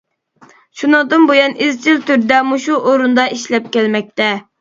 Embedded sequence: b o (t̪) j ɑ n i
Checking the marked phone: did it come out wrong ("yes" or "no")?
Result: yes